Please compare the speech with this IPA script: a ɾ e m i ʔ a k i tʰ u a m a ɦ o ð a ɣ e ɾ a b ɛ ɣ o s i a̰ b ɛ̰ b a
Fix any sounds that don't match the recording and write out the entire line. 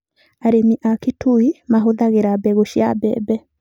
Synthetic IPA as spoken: a ɾ e m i ʔ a k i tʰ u i m a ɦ o ð a ɣ e ɾ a b ɛ ɣ o ʃ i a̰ b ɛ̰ b ɛ